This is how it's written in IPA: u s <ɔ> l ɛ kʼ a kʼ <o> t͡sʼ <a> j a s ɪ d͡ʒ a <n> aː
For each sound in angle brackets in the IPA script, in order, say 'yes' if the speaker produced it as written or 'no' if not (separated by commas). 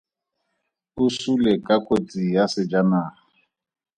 no, yes, no, yes